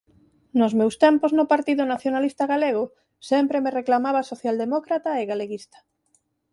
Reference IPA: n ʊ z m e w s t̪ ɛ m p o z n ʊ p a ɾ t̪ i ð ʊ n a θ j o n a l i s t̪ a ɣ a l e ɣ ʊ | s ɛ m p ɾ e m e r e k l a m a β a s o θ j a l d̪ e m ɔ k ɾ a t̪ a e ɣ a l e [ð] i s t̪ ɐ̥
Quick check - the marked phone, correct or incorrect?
incorrect